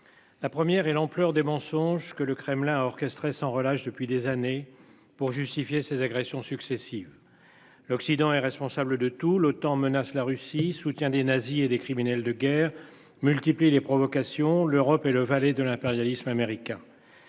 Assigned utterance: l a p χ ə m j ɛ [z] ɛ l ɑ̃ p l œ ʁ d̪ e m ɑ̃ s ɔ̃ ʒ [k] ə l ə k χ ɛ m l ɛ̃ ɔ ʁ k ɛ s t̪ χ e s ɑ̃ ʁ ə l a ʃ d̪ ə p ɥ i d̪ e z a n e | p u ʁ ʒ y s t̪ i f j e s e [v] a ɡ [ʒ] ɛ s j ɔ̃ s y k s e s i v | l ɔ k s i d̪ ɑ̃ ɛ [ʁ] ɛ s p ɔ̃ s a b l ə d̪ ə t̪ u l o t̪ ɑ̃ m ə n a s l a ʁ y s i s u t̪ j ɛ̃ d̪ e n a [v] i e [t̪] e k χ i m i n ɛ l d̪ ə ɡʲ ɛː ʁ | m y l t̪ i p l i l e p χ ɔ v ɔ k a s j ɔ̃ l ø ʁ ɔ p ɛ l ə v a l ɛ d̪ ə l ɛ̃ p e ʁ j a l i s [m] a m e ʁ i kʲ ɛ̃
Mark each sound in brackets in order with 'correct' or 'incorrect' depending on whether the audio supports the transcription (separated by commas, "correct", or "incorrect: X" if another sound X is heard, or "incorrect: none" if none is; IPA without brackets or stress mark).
incorrect: ʁ, correct, incorrect: z, incorrect: ʁ, correct, incorrect: z, incorrect: d̪, correct